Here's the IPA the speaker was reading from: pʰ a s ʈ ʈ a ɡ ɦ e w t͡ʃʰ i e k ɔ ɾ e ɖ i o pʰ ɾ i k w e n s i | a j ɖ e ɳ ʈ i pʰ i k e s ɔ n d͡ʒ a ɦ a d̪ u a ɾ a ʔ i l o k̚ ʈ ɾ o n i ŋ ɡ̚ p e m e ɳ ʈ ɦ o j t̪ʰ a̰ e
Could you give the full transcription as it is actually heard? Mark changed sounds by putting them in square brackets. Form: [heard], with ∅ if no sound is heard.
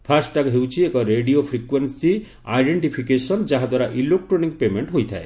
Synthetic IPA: pʰ a s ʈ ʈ a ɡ ɦ e w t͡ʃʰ i e k ɔ ɾ e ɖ i o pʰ ɾ i k w e n s i | a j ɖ e ɳ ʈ i pʰ i k e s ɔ n d͡ʒ a ɦ a d̪ [w] a ɾ a ʔ i l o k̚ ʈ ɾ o n i ŋ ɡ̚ p e m e ɳ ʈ ɦ o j t̪ʰ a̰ e